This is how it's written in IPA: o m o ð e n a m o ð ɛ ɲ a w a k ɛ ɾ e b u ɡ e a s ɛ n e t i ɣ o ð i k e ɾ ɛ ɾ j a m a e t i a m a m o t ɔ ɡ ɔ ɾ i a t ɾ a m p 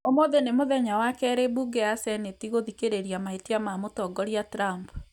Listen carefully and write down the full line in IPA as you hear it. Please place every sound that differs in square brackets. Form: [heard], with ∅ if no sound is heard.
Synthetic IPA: o m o ð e n [e] m o ð ɛ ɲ a w a k ɛ ɾ e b u ɡ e a s ɛ n e t i ɣ o ð i k e ɾ [e] ɾ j a m a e t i a m a m o t ɔ ɡ ɔ ɾ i a t ɾ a m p